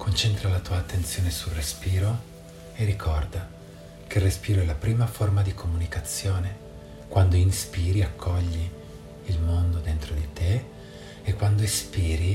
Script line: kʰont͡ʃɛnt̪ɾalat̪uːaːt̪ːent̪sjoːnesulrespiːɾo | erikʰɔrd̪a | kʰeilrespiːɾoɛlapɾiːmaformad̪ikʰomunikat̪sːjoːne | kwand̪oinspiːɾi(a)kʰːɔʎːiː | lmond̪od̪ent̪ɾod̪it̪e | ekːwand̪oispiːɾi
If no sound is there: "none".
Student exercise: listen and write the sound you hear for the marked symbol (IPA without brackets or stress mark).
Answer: a